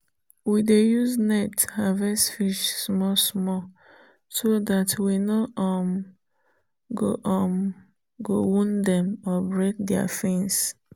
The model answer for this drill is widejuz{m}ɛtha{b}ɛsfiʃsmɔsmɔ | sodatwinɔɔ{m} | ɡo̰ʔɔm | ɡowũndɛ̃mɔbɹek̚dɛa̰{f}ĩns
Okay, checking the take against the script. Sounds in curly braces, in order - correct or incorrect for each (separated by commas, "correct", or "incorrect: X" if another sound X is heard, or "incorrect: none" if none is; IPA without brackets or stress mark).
incorrect: n, incorrect: v, correct, correct